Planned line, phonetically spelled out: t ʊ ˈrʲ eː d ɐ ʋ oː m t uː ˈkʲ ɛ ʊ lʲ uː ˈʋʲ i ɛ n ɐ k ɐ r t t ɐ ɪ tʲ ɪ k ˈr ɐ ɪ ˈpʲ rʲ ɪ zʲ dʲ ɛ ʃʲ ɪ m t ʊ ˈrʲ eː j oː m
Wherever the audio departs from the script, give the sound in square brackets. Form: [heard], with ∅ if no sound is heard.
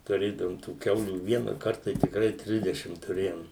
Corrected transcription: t ʊ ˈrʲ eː d ɐ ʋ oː m t uː ˈkʲ ɛ ʊ lʲ uː ˈʋʲ i ɛ n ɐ k ɐ r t t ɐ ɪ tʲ ɪ k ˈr ɐ ɪ [ˈtʲ] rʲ ɪ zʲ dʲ ɛ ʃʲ ɪ m t ʊ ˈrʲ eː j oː m